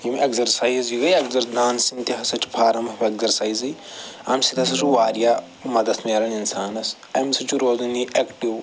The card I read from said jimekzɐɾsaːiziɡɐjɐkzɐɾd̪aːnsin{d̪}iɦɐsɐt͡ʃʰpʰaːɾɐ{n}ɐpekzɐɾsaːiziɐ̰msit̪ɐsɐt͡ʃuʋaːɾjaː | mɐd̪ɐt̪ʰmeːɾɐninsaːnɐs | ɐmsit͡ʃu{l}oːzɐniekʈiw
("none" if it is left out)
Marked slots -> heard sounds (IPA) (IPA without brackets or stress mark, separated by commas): t̪, m, ɾ